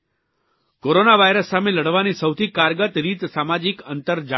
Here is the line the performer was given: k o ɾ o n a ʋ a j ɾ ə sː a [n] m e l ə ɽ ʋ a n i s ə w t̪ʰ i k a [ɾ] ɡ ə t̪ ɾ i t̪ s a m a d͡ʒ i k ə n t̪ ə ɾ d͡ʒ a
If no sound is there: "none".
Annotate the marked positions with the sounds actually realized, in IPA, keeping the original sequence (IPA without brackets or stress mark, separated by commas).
none, ɾ